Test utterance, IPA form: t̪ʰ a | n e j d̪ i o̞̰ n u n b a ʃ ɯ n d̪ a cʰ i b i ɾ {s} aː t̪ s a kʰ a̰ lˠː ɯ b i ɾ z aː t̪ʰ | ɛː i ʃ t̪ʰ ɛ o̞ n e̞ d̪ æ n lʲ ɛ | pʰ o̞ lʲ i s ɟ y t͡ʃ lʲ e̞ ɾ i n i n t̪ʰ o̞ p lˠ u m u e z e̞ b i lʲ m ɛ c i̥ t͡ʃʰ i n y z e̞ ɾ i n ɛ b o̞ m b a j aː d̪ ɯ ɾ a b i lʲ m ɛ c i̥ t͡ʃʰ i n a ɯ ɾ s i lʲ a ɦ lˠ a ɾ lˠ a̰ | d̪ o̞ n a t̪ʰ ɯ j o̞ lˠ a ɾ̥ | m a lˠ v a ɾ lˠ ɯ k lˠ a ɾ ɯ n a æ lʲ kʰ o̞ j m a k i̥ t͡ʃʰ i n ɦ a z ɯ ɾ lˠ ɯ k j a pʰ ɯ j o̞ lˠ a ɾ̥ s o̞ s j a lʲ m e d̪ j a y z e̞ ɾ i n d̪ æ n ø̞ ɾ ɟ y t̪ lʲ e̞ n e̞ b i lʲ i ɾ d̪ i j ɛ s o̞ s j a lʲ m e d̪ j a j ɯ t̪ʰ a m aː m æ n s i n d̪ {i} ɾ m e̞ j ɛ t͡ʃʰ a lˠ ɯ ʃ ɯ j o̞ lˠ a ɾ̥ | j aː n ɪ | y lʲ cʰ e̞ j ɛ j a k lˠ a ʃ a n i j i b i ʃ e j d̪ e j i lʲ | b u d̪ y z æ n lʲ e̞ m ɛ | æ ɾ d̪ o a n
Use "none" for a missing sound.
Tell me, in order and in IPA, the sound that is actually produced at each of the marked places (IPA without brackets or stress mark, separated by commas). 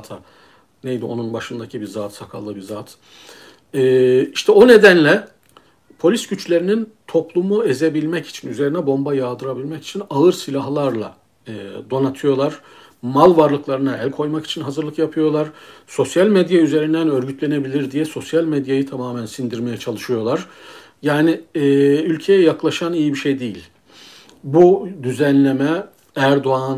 z, i